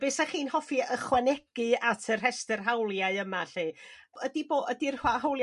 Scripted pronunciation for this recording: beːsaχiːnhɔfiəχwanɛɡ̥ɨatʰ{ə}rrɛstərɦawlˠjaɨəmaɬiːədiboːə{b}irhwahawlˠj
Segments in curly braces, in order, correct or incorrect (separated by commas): correct, incorrect